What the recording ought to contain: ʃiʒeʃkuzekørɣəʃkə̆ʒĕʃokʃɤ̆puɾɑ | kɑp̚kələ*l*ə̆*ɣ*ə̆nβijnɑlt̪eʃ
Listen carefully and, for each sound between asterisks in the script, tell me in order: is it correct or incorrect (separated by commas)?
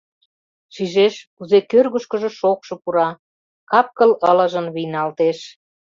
correct, incorrect